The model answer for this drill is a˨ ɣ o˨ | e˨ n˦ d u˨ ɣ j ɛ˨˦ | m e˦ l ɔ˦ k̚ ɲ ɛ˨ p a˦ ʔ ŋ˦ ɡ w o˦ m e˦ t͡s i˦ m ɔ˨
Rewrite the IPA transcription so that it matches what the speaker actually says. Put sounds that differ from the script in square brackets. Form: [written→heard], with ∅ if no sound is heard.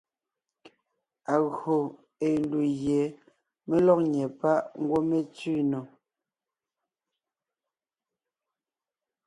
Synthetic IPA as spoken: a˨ ɣ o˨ | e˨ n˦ d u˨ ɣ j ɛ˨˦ | m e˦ l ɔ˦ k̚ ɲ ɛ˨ p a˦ ʔ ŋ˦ ɡ w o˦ m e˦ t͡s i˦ [m→n] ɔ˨